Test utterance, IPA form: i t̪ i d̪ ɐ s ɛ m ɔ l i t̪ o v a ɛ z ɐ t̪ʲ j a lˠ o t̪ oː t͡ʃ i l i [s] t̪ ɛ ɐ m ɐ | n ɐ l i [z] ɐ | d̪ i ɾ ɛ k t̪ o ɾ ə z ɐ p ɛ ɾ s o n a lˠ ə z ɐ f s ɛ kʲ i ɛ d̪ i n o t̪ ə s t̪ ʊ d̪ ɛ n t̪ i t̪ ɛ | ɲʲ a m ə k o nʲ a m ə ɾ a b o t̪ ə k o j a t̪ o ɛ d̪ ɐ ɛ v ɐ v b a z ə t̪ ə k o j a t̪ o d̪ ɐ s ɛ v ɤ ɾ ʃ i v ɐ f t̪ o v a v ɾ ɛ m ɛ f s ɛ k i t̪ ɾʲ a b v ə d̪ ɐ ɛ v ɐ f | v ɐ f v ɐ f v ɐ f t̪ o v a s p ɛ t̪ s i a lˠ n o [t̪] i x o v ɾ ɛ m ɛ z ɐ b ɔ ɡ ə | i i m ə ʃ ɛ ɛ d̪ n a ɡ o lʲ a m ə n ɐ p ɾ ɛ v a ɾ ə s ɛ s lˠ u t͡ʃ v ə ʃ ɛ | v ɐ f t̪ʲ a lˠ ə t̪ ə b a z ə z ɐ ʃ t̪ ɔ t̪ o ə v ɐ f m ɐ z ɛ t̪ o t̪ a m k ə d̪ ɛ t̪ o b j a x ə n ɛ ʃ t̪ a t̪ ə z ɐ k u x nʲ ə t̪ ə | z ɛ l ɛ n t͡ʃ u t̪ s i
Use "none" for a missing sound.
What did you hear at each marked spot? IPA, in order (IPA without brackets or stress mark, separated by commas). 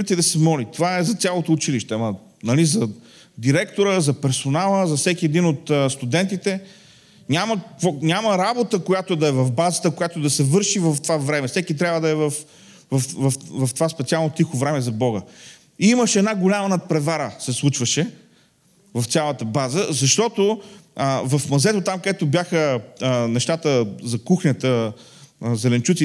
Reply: ʃ, z, t̪